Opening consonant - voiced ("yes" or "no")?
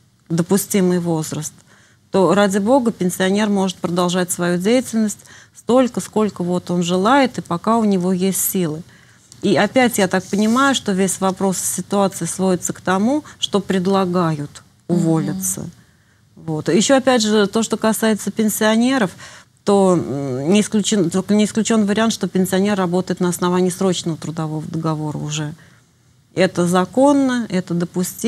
yes